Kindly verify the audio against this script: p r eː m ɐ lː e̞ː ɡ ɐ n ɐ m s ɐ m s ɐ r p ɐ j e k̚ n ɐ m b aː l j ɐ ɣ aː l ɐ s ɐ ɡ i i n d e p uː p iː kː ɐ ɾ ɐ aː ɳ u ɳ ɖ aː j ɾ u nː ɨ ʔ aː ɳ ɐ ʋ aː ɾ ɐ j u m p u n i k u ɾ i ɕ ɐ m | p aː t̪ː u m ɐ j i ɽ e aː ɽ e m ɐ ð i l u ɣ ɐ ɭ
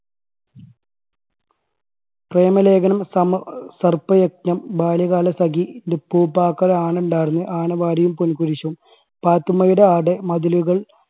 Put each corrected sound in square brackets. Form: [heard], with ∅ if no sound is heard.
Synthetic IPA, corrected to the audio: p r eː m ɐ [l] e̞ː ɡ ɐ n ɐ m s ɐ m s ɐ r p ɐ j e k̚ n ɐ m b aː l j ɐ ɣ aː l ɐ s ɐ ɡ i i n d e p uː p [aː] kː ɐ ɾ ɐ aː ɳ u ɳ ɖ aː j ɾ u nː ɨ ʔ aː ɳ ɐ ʋ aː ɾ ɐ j u m p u n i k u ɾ i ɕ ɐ m | p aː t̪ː u m ɐ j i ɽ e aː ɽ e m ɐ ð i l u ɣ ɐ ɭ